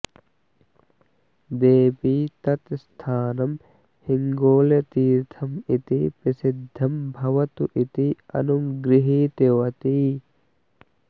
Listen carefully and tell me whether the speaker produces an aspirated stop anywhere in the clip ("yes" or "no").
yes